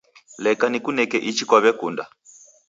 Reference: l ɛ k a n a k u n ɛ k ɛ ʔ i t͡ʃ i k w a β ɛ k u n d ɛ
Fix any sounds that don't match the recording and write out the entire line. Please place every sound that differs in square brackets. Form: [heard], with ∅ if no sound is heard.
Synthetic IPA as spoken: l ɛ k a n [i] k u n ɛ k ɛ ʔ i t͡ʃ i k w a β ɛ k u n d [a]